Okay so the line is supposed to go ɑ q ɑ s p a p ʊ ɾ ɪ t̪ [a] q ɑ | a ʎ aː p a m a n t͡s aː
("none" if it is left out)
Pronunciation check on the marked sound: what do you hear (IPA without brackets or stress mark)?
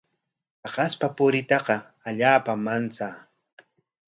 ɑ